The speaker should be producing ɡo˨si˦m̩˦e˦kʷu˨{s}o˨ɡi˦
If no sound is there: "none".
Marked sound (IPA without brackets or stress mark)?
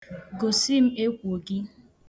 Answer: none